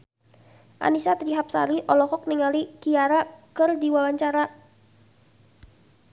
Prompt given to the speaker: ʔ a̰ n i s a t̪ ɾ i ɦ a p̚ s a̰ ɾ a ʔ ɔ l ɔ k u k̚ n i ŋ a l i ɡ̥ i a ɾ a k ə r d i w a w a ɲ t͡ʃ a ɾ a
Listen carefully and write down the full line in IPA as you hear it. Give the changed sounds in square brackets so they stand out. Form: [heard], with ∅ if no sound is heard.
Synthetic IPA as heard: ʔ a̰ n i s a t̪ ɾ i ɦ a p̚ s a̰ ɾ [i] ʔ ɔ l ɔ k [ɔ] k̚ n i ŋ a l i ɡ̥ i a ɾ a k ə r d i w a w a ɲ t͡ʃ a ɾ a